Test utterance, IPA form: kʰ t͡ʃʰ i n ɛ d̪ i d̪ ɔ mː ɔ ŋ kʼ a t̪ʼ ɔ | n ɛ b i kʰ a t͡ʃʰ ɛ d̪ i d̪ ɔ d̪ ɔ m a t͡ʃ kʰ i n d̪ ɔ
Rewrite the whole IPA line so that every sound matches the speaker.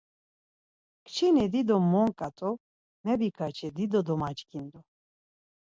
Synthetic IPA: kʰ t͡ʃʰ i n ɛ d̪ i d̪ ɔ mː ɔ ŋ kʼ a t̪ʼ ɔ | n ɛ b i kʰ a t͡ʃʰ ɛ d̪ i d̪ ɔ d̪ ɔ m a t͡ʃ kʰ i n d̪ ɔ